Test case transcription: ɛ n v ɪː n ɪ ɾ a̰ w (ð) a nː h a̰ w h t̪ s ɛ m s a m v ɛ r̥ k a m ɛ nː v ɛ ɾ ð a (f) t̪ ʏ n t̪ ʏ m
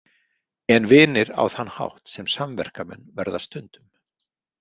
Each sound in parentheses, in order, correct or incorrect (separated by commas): incorrect, incorrect